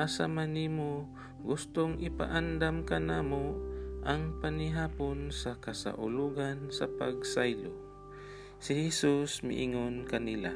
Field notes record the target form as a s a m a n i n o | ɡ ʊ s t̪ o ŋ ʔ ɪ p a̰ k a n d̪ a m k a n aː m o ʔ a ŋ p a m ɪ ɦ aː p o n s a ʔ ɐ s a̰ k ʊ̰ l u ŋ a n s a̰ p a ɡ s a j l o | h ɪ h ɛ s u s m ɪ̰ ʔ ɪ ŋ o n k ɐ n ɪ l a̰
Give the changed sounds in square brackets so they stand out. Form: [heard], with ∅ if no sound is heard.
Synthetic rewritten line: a s a m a n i [m] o | ɡ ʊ s t̪ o ŋ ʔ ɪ p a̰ [ʔ] a n d̪ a m k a n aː m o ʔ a ŋ p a [n] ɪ ɦ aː p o n s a [k] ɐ s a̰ [ʔ] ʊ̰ l u [ɡ] a n s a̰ p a ɡ s a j l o | [s] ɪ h ɛ s u s m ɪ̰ ʔ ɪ ŋ o n k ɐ n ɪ l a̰